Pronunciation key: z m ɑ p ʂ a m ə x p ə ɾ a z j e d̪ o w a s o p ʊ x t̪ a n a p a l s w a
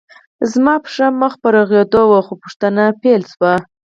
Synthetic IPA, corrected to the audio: z m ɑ p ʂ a m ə x p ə ɾ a ɣ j e d̪ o w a x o p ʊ ʂ t̪ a n a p e l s w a